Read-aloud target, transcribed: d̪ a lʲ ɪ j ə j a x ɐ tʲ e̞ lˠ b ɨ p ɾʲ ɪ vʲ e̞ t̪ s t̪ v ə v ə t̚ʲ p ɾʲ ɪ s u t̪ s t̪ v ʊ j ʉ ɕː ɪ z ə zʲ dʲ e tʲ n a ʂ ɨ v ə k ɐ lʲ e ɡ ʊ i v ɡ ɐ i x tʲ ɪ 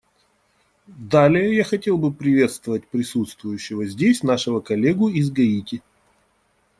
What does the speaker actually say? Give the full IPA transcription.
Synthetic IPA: d̪ a lʲ ɪ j ə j a x ɐ tʲ e̞ lˠ b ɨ p ɾʲ ɪ vʲ e̞ t̪ s t̪ v ə v ə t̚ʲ p ɾʲ ɪ s u t̪ s t̪ v ʊ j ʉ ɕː ɪ v ə zʲ dʲ e sʲ n a ʂ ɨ v ə k ɐ lʲ e ɡ ʊ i z ɡ ɐ i tʲ ɪ

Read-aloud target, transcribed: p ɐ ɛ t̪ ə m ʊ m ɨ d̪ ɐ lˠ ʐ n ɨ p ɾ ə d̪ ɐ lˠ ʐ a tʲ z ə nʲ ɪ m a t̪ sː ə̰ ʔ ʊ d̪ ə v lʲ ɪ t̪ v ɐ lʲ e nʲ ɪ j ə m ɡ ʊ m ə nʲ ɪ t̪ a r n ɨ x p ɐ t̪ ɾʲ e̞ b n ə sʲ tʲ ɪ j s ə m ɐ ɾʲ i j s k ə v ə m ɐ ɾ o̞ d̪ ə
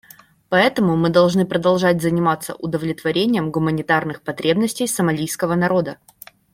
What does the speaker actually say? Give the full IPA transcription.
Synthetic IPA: p ɐ ɛ t̪ ə m ʊ m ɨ d̪ ɐ lˠ ʐ n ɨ p ɾ ə d̪ ɐ lˠ ʐ a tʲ z ə nʲ ɪ m a t̪ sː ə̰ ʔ ʊ d̪ ə v lʲ ɪ t̪ v ɐ ɾʲ e nʲ ɪ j ə m ɡ ʊ m ə nʲ ɪ t̪ a r n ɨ x p ɐ t̪ ɾʲ e̞ b n ə sʲ tʲ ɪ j s ə m ɐ lʲ i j s k ə v ə n ɐ ɾ o̞ d̪ ə

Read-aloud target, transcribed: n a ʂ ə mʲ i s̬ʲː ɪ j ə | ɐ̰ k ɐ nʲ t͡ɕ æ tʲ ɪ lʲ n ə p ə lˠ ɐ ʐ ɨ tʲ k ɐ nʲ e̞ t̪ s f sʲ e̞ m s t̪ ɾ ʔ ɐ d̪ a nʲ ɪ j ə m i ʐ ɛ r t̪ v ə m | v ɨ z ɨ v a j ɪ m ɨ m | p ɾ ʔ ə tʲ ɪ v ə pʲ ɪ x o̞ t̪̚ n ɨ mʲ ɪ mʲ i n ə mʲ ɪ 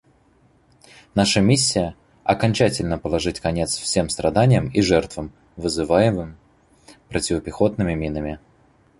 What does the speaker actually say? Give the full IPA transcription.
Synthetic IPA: n a ʂ ə mʲ i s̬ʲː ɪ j ə | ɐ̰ k ɐ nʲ t͡ɕ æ tʲ ɪ lʲ n ə p ə lˠ ɐ ʐ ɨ tʲ k ɐ nʲ e̞ t̪ s f sʲ e̞ m s t̪ ɾ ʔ ɐ d̪ a nʲ ɪ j ə m i ʐ ɛ r t̪ v ə m | v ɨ z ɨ v a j ɪ m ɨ m | p ɾ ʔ ə tʲ ɪ v ə pʲ ɪ x o̞ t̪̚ n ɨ mʲ ɪ mʲ i n ə mʲ ɪ

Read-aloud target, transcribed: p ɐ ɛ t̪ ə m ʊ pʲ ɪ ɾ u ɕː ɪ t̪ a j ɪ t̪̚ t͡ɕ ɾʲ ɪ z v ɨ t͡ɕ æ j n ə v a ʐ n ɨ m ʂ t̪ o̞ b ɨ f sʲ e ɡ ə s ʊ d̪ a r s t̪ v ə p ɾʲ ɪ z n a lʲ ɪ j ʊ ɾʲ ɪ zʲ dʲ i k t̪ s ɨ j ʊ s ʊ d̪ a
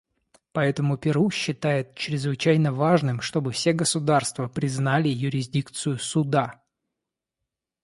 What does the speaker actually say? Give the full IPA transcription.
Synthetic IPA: p ɐ ɛ t̪ ə m ʊ pʲ ɪ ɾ u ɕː ɪ t̪ a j ɪ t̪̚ t͡ɕ ɾʲ ɪ z v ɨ t͡ɕ æ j n ə v a ʐ n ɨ m ʂ t̪ o̞ b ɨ f sʲ e ɡ ə s ʊ d̪ a r s t̪ v ə p ɾʲ ɪ z n a lʲ ɪ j ʊ ɾʲ ɪ zʲ dʲ i k t̪ s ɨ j ʊ s ʊ d̪ a

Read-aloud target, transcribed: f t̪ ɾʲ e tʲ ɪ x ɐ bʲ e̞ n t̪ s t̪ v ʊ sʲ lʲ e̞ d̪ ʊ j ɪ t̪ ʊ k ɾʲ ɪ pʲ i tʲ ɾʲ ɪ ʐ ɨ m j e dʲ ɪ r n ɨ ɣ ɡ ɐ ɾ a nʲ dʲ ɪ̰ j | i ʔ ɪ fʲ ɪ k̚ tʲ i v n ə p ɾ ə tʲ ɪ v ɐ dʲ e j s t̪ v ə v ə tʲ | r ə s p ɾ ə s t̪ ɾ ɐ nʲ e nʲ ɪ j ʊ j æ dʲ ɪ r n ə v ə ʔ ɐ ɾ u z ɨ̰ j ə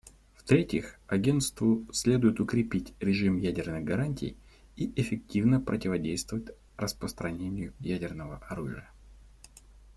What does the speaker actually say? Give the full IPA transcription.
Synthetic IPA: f t̪ ɾʲ e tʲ ɪ x ɐ ɡʲ e̞ n t̪ s t̪ v ʊ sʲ lʲ e̞ d̪ ʊ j ɪ t̪ ʊ k ɾʲ ɪ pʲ i tʲ ɾʲ ɪ ʐ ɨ m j æ dʲ ɪ r n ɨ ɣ ɡ ɐ ɾ a nʲ tʲ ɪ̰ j | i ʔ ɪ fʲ ɪ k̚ tʲ i v n ə p ɾ ə tʲ ɪ v ɐ dʲ e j s t̪ v ə v ə tʲ | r ə s p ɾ ə s t̪ ɾ ɐ nʲ e nʲ ɪ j ʊ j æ dʲ ɪ r n ə v ə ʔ ɐ ɾ u ʐ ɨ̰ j ə

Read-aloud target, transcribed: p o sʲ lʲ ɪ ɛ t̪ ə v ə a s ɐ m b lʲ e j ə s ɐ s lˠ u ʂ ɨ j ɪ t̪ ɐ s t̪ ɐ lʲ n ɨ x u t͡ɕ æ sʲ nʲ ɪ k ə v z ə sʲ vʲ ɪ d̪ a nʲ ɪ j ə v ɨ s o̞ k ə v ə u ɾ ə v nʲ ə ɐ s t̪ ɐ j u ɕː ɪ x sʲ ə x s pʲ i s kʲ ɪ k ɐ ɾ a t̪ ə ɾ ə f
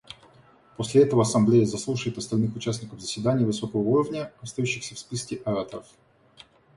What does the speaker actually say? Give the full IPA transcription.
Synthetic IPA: p o sʲ lʲ ɪ ɛ t̪ ə v ə ɐ s ɐ m b lʲ e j ə z ɐ s lˠ u ʂ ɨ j ɪ t̪ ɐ s t̪ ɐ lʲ n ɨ x ʊ t͡ɕ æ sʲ nʲ ɪ k ə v z ə sʲ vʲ ɪ d̪ a nʲ ɪ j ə v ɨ s o̞ k ə v ə u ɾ ə v nʲ ə ɐ s t̪ ɐ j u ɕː ɪ x sʲ ə f s pʲ i s kʲ ɪ ʔ ɐ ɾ a t̪ ə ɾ ə f

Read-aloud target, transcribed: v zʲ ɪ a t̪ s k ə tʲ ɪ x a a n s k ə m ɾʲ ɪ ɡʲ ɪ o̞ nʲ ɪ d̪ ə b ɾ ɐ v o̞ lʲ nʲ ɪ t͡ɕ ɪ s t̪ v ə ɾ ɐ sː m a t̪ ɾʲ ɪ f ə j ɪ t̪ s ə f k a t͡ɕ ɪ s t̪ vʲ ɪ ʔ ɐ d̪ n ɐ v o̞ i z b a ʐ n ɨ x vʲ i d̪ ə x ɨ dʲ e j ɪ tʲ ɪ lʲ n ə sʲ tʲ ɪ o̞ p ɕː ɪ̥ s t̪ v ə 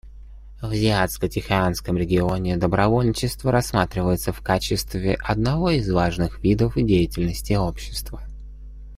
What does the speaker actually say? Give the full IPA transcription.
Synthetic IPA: v zʲ ɪ a t̪ s k ə tʲ ɪ x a a n s k ə m ɾʲ ɪ ɡʲ ɪ o̞ nʲ ɪ d̪ ə b ɾ ɐ v o̞ lʲ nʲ ɪ t͡ɕ ɪ s t̪ v ə ɾ ɐ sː m a t̪ ɾʲ ɪ v ə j ɪ t̪ s ə f k a t͡ɕ ɪ s t̪ vʲ ɪ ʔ ɐ d̪ n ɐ v o̞ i z v a ʐ n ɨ x vʲ i d̪ ə f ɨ dʲ e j ɪ tʲ ɪ lʲ n ə sʲ tʲ ɪ o̞ p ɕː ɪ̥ s t̪ v ə

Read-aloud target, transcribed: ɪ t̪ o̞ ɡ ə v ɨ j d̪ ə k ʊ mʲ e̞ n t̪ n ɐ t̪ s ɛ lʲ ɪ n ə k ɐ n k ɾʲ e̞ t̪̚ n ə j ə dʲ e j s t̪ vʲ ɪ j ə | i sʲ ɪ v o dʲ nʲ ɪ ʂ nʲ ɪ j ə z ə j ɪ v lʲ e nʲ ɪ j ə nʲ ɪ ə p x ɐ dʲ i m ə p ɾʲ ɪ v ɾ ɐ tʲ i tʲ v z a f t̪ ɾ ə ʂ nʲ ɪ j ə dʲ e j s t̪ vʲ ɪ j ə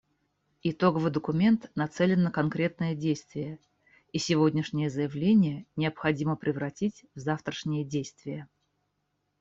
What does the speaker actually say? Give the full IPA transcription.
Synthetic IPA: ɪ t̪ o̞ ɡ ə v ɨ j d̪ ə k ʊ mʲ e̞ n t̪ n ɐ t̪ s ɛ lʲ ɪ nː ə k ɐ n k ɾʲ e̞ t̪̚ n ə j ə dʲ e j s t̪ vʲ ɪ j ə | i sʲ ɪ v o dʲ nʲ ɪ ʂ nʲ ɪ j ə z ə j ɪ v lʲ e nʲ ɪ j ə nʲ ɪ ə p x ɐ dʲ i m ə p ɾʲ ɪ v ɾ ɐ tʲ i tʲ v z a f t̪ ɾ ə ʂ nʲ ɪ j ə dʲ e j s t̪ vʲ ɪ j ə

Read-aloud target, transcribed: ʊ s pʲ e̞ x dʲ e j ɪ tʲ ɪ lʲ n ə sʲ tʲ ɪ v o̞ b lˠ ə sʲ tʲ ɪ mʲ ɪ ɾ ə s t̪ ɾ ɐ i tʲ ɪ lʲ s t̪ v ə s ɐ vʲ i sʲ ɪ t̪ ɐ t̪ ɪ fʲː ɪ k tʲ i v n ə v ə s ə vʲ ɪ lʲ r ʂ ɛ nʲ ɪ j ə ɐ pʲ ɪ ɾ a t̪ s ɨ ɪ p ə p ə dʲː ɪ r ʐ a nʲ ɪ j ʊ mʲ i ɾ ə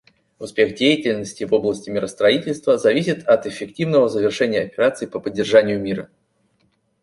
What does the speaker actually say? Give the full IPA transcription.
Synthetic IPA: ʊ s pʲ e̞ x dʲ e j ɪ tʲ ɪ lʲ n ə sʲ tʲ ɪ v o̞ b lˠ ə sʲ tʲ ɪ mʲ ɪ ɾ ə s t̪ ɾ ɐ i tʲ ɪ lʲ s t̪ v ə z ɐ vʲ i sʲ ɪ t̪ ɐ t̪ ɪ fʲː ɪ k tʲ i v n ə v ə z ə vʲ ɪ r ʂ ɛ nʲ ɪ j ə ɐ pʲ ɪ ɾ a t̪ s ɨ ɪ p ə p ə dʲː ɪ r ʐ a nʲ ɪ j ʊ mʲ i ɾ ə

